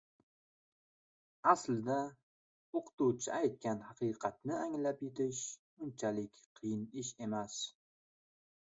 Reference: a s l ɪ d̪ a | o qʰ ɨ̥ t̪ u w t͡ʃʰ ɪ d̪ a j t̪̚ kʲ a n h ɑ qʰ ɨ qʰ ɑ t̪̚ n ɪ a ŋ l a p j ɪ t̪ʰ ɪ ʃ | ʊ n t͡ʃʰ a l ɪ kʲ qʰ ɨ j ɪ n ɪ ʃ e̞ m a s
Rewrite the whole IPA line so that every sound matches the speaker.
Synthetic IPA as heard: a s l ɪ d̪ a | o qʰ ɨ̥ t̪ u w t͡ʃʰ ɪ a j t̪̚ kʲ a n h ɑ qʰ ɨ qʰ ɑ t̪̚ n ɪ a ŋ l a p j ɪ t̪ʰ ɪ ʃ | ʊ n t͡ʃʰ a l ɪ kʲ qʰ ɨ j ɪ n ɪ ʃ e̞ m a s